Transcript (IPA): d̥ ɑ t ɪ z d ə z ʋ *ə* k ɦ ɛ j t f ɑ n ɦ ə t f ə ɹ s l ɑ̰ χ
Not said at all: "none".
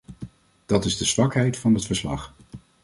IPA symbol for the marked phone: ɑ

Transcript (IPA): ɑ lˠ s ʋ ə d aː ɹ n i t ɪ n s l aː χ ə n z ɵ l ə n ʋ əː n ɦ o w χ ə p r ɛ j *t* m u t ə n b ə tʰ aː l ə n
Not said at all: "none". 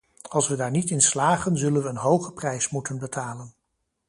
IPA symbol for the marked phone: s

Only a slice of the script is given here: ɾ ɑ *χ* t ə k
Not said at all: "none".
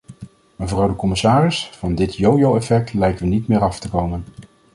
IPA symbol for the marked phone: f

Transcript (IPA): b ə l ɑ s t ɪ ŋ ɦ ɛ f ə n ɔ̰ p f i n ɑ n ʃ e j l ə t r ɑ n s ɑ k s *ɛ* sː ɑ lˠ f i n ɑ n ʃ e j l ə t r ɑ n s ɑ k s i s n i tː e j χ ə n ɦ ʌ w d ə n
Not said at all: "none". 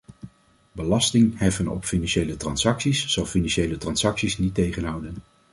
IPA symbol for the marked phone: i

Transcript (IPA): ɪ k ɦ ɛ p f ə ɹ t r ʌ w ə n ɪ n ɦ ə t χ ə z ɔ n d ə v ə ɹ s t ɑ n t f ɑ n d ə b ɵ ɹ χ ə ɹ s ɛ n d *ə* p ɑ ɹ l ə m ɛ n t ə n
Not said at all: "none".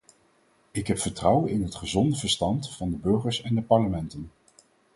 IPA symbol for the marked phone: ə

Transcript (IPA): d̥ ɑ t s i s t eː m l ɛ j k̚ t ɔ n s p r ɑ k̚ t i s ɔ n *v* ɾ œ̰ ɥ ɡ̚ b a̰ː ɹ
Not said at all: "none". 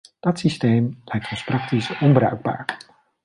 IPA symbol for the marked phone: b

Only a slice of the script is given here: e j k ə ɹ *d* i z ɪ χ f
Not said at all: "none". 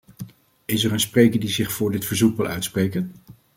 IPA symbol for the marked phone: d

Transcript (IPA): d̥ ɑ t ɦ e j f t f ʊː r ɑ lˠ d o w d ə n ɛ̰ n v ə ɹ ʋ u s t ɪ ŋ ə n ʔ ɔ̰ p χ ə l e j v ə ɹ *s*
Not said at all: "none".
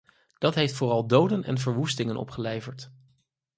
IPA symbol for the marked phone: t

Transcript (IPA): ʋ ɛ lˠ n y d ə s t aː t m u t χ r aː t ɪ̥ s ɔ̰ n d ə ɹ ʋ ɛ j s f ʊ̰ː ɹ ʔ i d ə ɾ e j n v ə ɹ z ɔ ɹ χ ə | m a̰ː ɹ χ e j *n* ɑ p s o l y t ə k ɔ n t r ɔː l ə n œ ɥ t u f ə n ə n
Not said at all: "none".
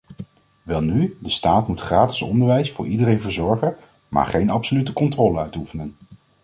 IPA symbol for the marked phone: n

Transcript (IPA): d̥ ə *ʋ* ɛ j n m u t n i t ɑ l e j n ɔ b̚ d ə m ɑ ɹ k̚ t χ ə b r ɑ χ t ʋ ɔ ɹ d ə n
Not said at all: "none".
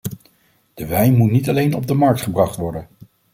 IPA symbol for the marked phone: ʋ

